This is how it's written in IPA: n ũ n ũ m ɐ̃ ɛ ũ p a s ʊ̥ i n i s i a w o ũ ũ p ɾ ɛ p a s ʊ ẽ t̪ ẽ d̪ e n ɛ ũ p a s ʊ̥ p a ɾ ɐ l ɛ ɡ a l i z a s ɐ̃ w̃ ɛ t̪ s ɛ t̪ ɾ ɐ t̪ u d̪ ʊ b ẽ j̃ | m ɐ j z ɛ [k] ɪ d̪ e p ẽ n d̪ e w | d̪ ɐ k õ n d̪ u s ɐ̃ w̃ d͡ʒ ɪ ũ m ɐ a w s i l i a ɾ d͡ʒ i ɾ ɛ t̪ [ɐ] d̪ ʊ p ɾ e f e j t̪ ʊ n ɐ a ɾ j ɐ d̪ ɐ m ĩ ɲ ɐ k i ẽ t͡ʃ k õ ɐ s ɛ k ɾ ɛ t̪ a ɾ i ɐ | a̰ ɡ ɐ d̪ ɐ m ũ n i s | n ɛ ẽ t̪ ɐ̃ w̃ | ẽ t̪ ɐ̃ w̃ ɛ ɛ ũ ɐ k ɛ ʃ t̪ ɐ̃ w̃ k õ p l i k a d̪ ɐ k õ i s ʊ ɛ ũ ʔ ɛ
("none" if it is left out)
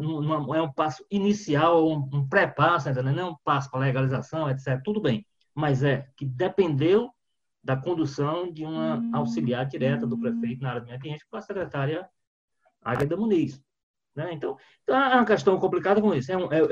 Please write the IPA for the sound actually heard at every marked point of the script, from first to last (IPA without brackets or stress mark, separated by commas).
k, ɐ